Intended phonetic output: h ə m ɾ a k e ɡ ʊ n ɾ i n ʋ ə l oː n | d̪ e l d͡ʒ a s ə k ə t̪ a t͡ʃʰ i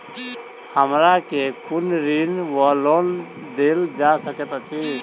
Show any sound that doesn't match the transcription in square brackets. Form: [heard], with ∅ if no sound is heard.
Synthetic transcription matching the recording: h ə m ɾ a k e [k] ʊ n ɾ i n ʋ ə l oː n | d̪ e l d͡ʒ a s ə k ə t̪ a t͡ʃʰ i